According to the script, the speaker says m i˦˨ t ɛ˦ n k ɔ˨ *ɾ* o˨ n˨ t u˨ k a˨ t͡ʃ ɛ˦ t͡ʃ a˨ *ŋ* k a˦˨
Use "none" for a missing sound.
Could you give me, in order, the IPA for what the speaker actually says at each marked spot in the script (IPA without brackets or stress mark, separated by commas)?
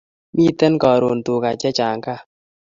ɾ, ŋ